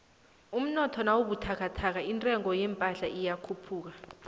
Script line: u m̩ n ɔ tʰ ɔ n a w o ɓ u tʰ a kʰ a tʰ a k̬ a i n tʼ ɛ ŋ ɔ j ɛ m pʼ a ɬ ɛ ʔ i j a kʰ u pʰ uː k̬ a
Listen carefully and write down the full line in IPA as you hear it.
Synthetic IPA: u m̩ n ɔ tʰ ɔ n a w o ɓ u tʰ a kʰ a tʰ a k̬ a i n tʼ ɛ ŋ ɔ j ɛ m pʼ a ɬ a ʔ i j a kʰ u pʰ uː k̬ a